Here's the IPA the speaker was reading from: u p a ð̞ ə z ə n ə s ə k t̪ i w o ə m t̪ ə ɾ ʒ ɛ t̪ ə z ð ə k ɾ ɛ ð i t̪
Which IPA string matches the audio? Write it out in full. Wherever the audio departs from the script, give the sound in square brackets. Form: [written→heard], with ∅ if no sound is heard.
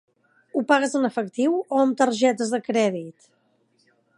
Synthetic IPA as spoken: u p a [ð̞→ɣ̞] ə z ə n ə [s→f] ə k t̪ i w o ə m t̪ ə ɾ ʒ ɛ t̪ ə z ð ə k ɾ ɛ ð i t̪